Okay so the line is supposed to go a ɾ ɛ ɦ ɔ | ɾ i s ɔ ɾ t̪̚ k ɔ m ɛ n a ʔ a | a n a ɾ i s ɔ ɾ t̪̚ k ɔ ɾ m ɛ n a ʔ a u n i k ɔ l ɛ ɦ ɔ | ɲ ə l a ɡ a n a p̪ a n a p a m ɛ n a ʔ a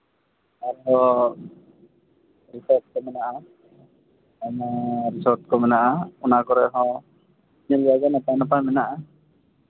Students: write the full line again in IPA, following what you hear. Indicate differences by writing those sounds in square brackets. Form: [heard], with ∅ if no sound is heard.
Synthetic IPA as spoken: a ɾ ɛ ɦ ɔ | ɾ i s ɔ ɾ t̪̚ k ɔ m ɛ n a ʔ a | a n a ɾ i s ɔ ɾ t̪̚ k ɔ [∅] m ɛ n a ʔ a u n [a] k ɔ [ɾ] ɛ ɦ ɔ | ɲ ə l a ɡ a n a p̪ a n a p a m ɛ n a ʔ a